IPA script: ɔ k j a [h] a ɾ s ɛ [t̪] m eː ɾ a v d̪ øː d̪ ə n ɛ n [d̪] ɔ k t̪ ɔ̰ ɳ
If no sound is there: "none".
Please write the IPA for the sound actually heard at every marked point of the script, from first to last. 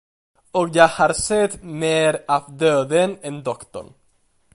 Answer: h, t̪, d̪

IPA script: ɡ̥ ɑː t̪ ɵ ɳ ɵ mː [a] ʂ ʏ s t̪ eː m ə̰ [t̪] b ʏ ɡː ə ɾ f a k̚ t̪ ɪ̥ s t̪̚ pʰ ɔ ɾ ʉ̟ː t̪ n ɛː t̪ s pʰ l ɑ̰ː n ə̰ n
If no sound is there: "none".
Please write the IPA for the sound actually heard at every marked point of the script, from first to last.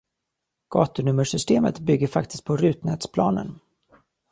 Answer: ə, t̪

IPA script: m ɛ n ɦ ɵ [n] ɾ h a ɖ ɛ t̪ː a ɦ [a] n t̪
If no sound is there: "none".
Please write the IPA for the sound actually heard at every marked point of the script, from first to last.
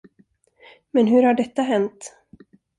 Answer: none, ɛ

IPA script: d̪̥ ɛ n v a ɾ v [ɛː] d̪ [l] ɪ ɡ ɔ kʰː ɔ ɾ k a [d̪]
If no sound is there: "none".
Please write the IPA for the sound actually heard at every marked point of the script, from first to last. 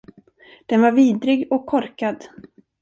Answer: iː, ɾ, d̪

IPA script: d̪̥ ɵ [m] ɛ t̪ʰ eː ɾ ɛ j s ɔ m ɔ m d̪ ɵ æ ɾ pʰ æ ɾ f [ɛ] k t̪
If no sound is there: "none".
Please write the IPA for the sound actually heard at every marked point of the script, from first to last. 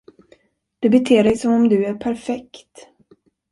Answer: b, ɛ

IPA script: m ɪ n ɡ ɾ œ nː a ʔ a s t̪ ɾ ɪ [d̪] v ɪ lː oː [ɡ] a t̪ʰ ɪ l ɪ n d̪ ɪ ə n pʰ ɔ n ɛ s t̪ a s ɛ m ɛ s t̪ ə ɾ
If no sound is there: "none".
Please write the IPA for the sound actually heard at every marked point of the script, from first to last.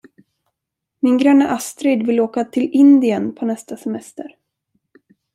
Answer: d̪, k

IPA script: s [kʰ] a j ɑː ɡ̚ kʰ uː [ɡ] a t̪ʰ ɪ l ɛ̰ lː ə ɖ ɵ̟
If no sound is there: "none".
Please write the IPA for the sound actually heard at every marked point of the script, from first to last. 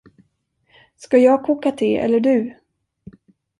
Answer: k, k

